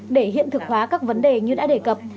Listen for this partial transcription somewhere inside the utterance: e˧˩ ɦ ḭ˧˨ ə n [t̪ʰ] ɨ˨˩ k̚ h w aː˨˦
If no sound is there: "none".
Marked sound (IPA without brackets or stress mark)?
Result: t̪